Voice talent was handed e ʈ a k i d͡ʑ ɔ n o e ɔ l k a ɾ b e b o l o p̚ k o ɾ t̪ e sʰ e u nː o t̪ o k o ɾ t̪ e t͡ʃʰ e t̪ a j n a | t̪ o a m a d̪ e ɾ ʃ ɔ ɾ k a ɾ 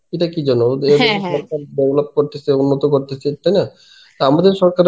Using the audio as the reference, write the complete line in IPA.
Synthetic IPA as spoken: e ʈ a k i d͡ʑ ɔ n o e ɔ ɾ k a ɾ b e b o l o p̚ k o ɾ t̪ e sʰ e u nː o t̪ o k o ɾ t̪ e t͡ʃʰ e t̪ a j n a | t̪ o a m a d̪ e ɾ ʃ ɔ ɾ k a ɾ